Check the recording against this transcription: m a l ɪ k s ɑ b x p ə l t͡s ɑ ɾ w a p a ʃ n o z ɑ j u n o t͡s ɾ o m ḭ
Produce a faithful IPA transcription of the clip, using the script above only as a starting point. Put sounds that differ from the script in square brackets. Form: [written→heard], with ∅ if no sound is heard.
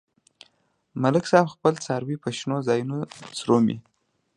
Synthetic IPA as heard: m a l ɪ k s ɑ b x p ə l t͡s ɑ ɾ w [a→i] p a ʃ n o z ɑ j u n o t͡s ɾ o m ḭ